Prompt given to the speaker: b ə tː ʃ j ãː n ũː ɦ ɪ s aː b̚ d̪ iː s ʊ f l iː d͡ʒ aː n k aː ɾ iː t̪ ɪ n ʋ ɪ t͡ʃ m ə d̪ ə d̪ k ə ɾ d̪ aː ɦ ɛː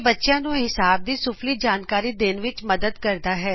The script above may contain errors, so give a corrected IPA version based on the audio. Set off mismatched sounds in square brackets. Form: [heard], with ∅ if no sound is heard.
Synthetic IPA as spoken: b ə tː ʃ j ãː n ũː ɦ ɪ s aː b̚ d̪ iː s ʊ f l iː d͡ʒ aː n k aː ɾ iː [d̪] ɪ n ʋ ɪ t͡ʃ m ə d̪ ə d̪ k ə ɾ d̪ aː ɦ ɛː